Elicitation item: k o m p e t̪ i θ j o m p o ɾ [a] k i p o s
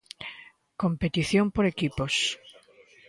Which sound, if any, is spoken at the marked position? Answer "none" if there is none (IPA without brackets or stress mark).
e